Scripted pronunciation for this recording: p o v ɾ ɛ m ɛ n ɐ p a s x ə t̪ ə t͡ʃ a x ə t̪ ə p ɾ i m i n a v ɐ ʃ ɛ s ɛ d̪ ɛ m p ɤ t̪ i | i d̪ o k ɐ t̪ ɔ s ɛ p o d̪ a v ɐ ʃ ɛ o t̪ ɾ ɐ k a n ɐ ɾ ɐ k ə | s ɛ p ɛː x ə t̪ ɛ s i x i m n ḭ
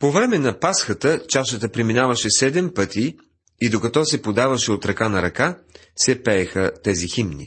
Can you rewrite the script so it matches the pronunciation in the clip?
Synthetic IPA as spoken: p o v ɾ ɛ m ɛ n ɐ p a s x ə t̪ ə t͡ʃ a ʃ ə t̪ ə p ɾ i m i n a v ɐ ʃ ɛ s ɛ d̪ ɛ m p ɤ t̪ i | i d̪ o k ɐ t̪ ɔ s ɛ p o d̪ a v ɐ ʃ ɛ o t̪ ɾ ɐ k a n ɐ ɾ ɐ k a | s ɛ p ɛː x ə t̪ ɛ z i x i m n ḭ